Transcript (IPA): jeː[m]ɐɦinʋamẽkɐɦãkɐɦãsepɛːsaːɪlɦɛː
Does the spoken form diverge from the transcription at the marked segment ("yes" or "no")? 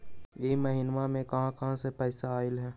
no